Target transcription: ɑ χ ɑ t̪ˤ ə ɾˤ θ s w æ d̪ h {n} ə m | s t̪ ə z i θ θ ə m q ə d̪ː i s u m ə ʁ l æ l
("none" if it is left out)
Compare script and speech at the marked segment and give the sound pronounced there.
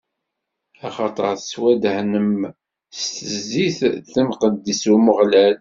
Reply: n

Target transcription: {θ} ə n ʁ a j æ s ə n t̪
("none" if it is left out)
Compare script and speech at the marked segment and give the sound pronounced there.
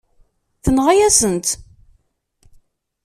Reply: θ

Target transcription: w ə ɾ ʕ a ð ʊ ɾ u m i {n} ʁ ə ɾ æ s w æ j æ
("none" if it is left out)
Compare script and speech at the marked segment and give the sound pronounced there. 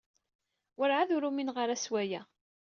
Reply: n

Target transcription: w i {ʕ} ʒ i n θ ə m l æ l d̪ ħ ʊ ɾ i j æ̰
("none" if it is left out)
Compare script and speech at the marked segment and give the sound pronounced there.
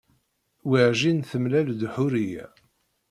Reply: ʕ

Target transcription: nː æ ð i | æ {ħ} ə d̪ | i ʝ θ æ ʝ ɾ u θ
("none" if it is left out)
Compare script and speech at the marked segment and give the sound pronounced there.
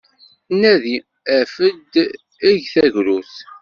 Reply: f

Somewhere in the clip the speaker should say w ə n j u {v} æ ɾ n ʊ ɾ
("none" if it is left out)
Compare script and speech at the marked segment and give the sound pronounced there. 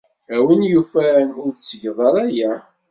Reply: f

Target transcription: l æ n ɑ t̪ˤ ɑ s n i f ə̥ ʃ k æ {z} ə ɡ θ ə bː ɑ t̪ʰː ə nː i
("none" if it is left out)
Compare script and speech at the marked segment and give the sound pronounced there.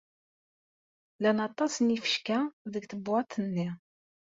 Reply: ð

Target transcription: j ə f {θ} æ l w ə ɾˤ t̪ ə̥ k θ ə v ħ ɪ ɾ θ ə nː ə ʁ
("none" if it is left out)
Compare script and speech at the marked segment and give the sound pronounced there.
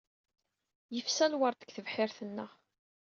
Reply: s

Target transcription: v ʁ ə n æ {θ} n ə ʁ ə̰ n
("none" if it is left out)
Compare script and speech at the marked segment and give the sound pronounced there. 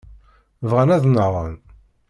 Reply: ð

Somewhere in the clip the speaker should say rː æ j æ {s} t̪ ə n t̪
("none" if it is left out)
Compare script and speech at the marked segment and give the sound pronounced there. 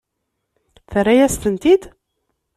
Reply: s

